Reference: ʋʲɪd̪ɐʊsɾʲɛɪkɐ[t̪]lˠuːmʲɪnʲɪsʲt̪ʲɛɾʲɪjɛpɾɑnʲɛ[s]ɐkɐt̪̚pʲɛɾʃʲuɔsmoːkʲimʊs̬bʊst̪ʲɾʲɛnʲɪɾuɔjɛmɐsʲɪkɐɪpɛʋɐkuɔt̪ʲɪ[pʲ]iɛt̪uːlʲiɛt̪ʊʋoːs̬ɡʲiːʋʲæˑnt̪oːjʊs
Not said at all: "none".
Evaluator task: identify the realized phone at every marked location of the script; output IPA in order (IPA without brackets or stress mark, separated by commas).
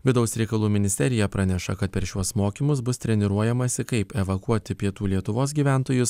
none, ʃ, pʲ